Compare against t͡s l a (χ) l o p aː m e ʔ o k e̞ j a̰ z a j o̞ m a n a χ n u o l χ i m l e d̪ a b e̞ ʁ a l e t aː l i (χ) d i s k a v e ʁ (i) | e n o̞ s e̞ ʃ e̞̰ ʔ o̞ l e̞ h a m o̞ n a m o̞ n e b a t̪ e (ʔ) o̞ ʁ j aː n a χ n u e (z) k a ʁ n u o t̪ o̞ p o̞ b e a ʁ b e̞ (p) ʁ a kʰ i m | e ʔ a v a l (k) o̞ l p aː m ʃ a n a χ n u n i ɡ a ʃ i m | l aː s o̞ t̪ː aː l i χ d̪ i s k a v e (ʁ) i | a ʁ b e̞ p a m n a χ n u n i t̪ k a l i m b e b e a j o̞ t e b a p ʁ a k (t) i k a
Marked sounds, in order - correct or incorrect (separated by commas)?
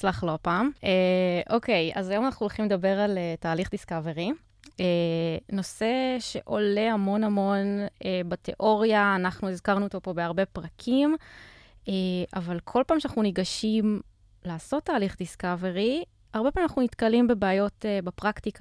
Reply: correct, correct, correct, correct, correct, correct, incorrect, correct, correct